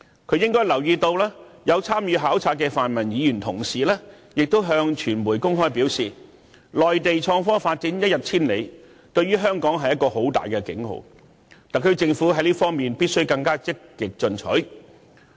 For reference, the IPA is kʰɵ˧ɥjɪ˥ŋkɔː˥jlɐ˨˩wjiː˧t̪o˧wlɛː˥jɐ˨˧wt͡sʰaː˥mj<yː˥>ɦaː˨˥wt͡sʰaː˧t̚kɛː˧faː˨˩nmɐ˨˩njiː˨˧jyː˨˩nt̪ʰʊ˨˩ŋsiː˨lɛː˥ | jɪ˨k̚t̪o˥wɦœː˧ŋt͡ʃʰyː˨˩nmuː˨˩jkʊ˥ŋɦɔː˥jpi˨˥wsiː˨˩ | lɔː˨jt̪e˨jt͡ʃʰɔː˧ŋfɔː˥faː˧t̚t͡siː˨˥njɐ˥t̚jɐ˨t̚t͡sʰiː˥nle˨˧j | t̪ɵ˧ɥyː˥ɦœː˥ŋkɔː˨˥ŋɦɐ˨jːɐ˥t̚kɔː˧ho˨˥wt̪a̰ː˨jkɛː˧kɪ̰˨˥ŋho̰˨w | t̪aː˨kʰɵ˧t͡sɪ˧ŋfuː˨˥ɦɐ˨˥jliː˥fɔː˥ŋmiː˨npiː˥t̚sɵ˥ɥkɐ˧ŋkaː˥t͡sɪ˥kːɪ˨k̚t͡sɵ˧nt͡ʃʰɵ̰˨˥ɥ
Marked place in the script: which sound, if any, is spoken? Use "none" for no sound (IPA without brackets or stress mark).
yː˨˧